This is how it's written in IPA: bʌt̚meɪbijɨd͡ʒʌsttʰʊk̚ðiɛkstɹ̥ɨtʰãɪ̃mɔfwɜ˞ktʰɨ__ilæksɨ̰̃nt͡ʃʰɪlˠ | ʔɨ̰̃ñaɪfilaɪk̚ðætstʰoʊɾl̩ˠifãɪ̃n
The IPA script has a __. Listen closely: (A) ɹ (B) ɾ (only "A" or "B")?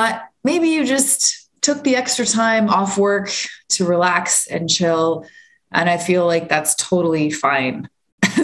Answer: A